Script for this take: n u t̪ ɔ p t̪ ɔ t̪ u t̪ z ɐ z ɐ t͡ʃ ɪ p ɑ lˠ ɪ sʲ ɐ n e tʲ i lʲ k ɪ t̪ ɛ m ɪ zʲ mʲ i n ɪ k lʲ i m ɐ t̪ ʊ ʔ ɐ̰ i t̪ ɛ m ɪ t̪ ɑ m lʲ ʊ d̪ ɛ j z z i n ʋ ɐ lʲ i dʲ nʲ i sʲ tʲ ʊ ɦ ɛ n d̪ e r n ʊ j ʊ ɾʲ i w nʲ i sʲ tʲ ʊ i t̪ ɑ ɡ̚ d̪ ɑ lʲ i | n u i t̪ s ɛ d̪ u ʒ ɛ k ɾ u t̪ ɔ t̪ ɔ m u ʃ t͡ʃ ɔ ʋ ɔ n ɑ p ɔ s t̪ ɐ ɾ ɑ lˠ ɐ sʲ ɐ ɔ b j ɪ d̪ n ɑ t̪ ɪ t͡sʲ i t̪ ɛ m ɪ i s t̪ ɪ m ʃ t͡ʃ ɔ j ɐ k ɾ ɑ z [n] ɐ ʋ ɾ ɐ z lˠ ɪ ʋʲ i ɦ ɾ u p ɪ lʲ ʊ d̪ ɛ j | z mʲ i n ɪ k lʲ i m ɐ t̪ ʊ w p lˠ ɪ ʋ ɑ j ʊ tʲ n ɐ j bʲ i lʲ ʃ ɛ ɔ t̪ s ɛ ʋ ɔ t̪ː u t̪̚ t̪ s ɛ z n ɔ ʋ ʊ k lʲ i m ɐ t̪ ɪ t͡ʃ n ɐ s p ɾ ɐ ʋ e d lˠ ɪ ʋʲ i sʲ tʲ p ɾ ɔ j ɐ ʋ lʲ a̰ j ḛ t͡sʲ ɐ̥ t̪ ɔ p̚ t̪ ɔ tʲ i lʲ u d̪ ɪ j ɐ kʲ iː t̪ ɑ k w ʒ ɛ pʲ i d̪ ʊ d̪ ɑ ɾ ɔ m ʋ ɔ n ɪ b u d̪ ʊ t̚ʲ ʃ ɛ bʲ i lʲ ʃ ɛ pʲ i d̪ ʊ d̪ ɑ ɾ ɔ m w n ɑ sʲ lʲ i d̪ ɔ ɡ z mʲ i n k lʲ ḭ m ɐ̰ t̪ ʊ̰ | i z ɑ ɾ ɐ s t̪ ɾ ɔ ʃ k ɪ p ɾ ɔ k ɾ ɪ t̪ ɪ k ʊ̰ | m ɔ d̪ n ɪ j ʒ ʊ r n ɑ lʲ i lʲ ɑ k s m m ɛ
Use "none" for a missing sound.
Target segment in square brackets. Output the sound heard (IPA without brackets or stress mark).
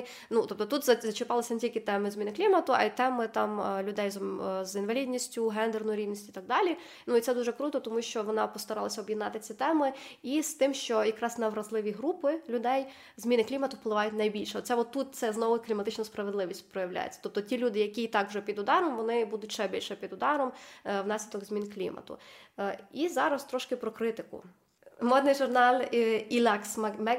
n